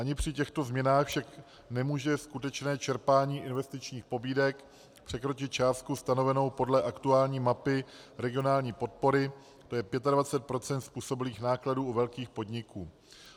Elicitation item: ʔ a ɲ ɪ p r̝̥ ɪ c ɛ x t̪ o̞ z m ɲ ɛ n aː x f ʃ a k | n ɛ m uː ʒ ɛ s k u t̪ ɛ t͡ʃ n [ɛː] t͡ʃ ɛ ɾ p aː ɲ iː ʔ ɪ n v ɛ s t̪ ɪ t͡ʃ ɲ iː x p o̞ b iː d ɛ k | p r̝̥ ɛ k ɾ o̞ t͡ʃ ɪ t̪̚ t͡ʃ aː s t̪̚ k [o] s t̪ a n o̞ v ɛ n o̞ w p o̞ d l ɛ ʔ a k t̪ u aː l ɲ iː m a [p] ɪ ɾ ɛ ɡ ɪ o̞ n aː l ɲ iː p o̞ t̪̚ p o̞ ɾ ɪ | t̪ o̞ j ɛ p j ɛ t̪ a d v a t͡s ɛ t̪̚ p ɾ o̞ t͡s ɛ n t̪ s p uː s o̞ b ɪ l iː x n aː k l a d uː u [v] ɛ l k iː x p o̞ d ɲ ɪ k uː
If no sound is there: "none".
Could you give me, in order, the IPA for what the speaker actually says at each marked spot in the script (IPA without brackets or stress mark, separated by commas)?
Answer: ɛː, u, p, v